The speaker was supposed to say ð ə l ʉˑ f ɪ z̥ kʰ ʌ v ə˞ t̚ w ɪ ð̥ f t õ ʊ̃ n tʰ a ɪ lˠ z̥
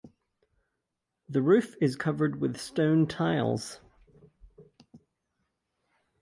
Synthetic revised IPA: ð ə ɹ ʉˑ f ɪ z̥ kʰ ʌ v ə˞ d̚ w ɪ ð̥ s t õ ʊ̃ n tʰ a ɪ lˠ z̥

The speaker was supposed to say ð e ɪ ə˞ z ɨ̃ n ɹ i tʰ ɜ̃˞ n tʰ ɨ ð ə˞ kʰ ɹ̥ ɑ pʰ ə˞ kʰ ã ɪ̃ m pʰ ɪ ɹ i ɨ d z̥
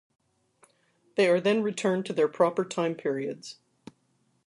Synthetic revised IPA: ð e ɪ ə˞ ð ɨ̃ n ɹ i tʰ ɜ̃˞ n tʰ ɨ ð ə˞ pʰ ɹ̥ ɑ p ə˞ tʰ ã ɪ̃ m pʰ ɪ ɹ i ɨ d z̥

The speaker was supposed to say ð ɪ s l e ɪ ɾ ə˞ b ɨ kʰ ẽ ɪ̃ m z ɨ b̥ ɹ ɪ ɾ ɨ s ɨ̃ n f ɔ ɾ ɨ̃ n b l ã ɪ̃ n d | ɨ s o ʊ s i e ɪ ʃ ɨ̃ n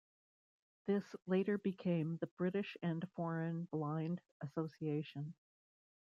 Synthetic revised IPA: ð ɪ s l e ɪ ɾ ə˞ b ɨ kʰ ẽ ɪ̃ m ð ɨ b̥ ɹ ɪ ɾ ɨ ʃ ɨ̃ n f ɔ ɹ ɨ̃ n b l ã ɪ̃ n d | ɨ s o ʊ s i e ɪ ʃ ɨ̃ n

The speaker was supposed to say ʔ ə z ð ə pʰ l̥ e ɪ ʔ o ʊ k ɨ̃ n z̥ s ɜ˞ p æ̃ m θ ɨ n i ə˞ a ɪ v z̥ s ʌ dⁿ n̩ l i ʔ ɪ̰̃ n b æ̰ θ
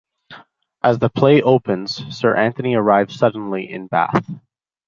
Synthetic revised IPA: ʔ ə z ð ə pʰ l̥ e ɪ ʔ o ʊ p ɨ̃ n z̥ s ɜ˞ ʔ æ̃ n θ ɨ n i ə˞ a ɪ v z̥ s ʌ dⁿ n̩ l i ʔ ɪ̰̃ n b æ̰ θ

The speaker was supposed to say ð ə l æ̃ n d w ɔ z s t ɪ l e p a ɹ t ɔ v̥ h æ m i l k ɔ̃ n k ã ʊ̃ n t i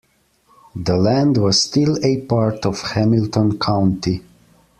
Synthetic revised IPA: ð ə l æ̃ n d w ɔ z s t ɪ l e p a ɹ t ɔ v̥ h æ m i l t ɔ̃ n kʰ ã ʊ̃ n t i

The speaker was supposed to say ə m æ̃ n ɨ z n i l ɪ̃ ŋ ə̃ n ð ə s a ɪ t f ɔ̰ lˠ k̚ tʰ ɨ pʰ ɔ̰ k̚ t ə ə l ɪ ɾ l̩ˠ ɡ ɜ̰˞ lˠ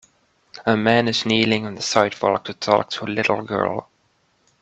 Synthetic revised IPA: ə m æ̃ n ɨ z n i l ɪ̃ ŋ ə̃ n ð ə s a ɪ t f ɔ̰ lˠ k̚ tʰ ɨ tʰ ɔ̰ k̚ tʰ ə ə l ɪ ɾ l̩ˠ ɡ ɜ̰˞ lˠ

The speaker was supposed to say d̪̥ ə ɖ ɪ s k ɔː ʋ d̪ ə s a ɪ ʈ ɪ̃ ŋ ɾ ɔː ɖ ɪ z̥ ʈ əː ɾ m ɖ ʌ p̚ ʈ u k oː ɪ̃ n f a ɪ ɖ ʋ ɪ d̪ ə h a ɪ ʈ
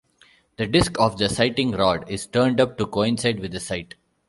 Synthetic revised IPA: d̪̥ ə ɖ ɪ s k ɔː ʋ d̪ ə s a ɪ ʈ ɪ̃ ŋ ɾ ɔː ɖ ɪ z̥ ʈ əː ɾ ɳ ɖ ʌ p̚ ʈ u k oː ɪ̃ n s a ɪ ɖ ʋ ɪ d̪ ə s a ɪ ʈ

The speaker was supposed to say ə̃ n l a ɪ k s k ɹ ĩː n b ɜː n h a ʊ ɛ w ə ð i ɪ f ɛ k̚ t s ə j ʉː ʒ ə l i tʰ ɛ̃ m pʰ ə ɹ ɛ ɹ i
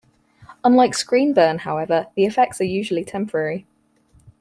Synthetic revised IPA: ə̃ n l a ɪ k s k ɹ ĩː n b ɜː n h a ʊ ɛ v ə ð i ɪ f ɛ k̚ t s ə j ʉː ʒ ə l i tʰ ɛ̃ m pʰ ə ɹ ɛ ɹ i

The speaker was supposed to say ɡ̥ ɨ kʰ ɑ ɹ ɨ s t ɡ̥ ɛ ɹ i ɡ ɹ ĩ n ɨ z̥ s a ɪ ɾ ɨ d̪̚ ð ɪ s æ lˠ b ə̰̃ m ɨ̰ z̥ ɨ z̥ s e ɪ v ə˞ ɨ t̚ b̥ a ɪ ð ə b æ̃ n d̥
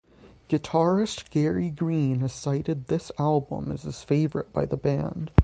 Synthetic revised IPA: ɡ̥ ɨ tʰ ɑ ɹ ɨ s t ɡ̥ ɛ ɹ i ɡ ɹ ĩ n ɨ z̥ s a ɪ ɾ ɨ d̪̚ ð ɪ s æ lˠ b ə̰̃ m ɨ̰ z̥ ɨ z̥ f e ɪ v ə˞ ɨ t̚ b̥ a ɪ ð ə b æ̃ n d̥

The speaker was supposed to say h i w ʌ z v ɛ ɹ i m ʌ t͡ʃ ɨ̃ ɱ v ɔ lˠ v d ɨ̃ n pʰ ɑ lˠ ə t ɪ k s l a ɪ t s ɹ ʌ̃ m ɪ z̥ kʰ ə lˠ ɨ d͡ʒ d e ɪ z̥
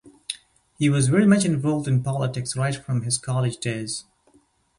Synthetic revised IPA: h i w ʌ z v ɛ ɹ i m ʌ t͡ʃ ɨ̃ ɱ v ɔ lˠ v d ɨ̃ n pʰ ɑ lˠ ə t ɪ k s ɹ a ɪ t f ɹ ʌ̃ m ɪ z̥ kʰ ɑ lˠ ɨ d͡ʒ d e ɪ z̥

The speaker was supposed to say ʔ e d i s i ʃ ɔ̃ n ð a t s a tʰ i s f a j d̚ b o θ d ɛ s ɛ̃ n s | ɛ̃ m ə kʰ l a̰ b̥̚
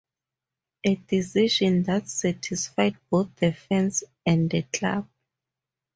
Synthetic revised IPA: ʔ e d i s i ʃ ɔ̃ n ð a t s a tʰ i s f a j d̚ b o θ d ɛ f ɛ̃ n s | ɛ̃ n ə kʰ l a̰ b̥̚

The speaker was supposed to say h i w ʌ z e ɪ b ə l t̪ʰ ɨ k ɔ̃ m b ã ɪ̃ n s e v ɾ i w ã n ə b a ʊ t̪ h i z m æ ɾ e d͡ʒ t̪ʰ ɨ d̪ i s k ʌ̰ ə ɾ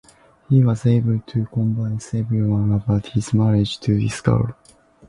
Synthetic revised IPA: h i w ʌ z e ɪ b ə l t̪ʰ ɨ k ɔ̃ m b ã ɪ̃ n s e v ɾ i w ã n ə b a ʊ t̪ h i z m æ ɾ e d͡ʒ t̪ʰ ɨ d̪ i s k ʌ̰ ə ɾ

